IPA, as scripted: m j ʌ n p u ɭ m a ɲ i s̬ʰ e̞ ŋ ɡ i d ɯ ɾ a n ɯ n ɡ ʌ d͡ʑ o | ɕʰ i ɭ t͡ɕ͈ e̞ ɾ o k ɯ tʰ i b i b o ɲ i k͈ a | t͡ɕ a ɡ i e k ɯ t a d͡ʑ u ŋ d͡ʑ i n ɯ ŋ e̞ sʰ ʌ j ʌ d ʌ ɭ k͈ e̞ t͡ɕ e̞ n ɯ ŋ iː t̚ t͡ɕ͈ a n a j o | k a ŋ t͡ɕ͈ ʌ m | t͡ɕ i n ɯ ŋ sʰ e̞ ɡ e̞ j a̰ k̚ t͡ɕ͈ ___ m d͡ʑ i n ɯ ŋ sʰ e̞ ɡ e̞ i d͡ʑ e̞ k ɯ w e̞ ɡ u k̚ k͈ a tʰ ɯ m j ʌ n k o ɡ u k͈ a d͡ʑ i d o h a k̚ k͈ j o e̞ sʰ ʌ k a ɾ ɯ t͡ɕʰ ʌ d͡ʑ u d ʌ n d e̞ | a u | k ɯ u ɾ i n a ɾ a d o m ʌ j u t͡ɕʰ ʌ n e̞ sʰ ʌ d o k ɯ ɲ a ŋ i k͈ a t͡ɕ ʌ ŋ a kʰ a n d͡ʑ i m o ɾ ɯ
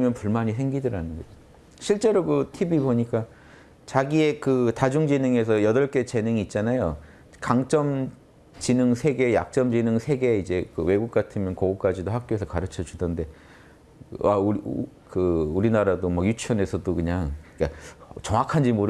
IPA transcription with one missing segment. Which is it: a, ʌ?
ʌ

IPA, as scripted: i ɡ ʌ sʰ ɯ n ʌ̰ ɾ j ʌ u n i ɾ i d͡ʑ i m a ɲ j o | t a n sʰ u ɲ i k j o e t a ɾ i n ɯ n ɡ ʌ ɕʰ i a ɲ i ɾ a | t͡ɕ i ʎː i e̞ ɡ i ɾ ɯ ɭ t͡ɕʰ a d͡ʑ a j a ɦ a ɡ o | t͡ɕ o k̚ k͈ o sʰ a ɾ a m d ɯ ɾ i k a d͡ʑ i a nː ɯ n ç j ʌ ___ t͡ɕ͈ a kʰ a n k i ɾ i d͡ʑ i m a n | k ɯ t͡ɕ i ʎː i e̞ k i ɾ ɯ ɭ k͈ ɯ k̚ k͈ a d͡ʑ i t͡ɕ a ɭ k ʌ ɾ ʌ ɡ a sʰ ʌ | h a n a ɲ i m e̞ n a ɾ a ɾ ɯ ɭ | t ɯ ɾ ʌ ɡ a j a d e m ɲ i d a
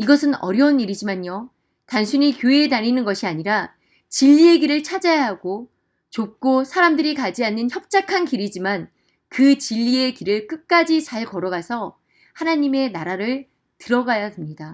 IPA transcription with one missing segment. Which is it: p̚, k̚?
p̚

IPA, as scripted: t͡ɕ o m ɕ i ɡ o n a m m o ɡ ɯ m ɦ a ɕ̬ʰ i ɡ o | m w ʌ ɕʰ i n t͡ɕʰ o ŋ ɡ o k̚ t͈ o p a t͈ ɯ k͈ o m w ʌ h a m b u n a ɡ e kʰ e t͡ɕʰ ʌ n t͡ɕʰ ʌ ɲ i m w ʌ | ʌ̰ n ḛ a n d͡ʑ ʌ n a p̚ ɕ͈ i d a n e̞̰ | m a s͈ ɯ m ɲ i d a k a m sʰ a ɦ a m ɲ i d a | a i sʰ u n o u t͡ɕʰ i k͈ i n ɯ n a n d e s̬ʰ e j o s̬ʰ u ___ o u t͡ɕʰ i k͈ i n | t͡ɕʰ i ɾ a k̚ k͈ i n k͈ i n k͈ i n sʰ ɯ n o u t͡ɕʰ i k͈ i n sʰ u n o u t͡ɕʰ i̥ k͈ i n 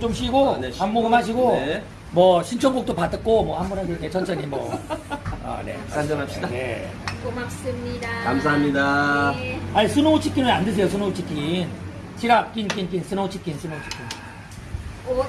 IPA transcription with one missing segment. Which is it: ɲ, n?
n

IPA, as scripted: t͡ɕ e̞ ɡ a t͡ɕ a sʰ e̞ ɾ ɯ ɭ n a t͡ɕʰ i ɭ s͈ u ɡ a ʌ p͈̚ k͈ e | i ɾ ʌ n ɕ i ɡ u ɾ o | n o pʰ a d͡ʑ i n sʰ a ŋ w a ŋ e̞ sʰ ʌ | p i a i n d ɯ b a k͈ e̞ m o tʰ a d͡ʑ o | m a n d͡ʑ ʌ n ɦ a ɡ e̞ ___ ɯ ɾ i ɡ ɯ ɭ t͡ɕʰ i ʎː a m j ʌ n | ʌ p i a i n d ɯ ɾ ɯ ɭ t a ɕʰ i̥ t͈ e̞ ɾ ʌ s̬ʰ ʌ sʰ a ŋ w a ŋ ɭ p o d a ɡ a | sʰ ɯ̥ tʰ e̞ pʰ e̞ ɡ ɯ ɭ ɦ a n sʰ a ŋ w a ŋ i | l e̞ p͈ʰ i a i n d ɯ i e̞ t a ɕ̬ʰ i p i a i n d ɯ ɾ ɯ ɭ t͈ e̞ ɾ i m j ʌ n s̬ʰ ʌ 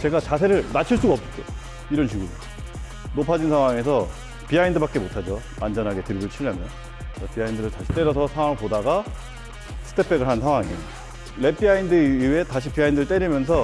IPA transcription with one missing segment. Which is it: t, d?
t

